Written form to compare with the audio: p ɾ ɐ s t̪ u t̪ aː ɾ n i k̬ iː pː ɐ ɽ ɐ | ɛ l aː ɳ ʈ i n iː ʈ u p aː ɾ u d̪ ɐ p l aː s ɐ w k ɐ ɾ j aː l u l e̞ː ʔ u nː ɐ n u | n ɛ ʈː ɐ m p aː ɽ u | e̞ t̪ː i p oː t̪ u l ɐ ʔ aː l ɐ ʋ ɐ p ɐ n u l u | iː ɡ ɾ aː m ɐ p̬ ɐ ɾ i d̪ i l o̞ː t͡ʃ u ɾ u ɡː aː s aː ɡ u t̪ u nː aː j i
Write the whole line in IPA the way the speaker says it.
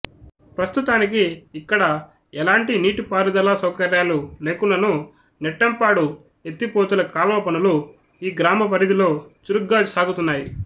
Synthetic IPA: p ɾ ɐ s t̪ u t̪ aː n i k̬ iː kː ɐ ɽ ɐ | ɛ l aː ɳ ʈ i n iː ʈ u p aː ɾ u d̪ ɐ l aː s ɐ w k ɐ ɾ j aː l u l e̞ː k u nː ɐ n u | n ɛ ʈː ɐ m p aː ɽ u | e̞ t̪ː i p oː t̪ u l ɐ k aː l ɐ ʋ ɐ p ɐ n u l u | iː ɡ ɾ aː m ɐ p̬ ɐ ɾ i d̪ i l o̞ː t͡ʃ u ɾ u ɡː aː s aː ɡ u t̪ u nː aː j i